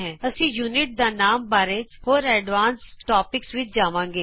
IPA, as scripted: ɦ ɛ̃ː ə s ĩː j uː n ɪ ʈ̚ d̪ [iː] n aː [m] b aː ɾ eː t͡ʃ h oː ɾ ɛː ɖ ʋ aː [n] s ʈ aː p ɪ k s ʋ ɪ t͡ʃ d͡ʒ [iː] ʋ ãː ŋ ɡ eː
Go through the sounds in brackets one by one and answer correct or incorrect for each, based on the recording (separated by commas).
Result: incorrect, correct, correct, incorrect